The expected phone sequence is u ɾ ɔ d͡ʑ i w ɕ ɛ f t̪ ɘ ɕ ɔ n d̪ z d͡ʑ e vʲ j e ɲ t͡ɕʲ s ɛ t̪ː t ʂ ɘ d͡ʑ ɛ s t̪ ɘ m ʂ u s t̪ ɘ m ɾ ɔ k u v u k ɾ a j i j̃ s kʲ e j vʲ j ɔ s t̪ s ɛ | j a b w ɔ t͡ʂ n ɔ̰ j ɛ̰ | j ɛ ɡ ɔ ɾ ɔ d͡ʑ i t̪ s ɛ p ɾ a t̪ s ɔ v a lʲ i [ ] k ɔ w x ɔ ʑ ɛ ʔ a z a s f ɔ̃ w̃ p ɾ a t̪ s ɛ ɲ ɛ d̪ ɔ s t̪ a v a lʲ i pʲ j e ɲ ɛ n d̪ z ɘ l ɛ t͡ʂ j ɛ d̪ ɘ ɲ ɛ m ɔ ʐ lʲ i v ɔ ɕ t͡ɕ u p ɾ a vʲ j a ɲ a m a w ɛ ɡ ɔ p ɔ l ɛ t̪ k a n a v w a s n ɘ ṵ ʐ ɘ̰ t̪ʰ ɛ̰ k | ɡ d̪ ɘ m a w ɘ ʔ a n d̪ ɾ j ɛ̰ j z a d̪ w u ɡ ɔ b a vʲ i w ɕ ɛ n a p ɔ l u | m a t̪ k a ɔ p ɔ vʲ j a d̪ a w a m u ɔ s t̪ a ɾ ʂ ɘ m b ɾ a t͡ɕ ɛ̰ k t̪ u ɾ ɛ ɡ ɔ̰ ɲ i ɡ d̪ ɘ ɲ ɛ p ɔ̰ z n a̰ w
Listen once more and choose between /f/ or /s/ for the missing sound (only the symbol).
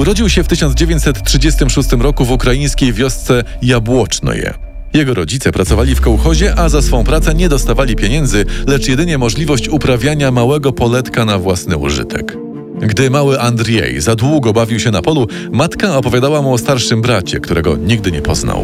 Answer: f